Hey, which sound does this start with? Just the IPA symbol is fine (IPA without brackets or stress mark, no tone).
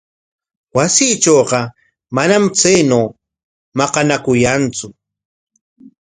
w